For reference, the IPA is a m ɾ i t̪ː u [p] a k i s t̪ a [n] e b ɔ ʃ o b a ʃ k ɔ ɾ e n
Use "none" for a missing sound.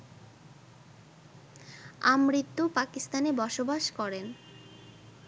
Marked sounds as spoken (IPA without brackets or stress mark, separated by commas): p, n